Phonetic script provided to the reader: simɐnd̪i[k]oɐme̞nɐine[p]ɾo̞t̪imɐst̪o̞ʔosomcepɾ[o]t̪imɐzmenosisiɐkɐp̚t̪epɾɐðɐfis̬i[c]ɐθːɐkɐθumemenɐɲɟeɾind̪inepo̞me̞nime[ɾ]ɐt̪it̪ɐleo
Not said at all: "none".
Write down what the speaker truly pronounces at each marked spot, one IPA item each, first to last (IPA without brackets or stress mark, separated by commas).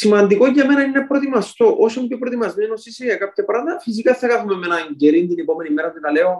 k, p, o, k, ɾ